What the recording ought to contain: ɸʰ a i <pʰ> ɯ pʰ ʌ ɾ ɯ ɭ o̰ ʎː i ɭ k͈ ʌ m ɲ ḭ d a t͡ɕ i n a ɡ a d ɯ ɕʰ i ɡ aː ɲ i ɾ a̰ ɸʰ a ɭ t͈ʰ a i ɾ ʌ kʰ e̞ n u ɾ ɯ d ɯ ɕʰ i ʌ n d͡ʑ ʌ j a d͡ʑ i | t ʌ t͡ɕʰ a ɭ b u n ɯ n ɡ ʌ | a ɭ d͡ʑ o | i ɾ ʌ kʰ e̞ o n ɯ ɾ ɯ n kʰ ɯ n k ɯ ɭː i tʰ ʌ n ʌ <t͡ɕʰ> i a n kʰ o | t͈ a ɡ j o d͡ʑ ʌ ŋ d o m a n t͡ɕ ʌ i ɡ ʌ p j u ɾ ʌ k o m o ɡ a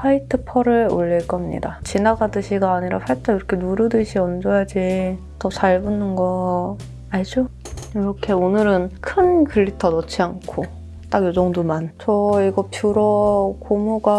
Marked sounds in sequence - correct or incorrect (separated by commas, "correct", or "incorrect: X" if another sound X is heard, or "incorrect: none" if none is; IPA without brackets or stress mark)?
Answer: incorrect: tʰ, correct